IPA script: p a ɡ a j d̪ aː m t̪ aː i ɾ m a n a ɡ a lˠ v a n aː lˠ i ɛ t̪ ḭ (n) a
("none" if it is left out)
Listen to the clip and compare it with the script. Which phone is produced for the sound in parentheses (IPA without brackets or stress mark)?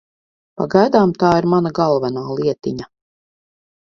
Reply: ɲ